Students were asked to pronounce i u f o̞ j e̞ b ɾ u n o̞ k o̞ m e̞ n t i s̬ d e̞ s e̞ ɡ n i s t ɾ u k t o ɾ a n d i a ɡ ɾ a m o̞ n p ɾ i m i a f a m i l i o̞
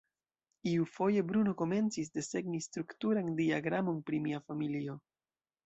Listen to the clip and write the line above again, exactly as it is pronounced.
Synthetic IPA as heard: i u f o̞ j e̞ b ɾ u n o̞ k o̞ m e̞ n t͡s i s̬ d e̞ s e̞ ɡ n i s t ɾ u k t u ɾ a n d i a ɡ ɾ a m o̞ n p ɾ i m i a f a m i l i o̞